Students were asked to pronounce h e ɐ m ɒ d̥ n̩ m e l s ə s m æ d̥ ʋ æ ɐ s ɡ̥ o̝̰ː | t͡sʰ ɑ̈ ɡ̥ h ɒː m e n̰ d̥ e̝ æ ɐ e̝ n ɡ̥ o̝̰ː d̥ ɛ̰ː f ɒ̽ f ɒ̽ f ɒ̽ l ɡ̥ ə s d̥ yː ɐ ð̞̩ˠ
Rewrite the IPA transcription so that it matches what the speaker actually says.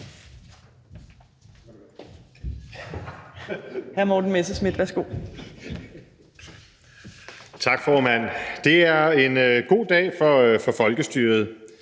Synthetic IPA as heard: h æ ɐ m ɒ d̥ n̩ m e s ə s m i d̥ ʋ æ ɐ s ɡ̥ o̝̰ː | t͡sʰ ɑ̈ ɡ̥ f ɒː m æ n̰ d̥ e̝ æ ɐ e̝ n ɡ̥ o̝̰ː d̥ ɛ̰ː f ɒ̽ f ɒ̽ f ɒ̽ l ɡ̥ ə s d̥ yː ɐ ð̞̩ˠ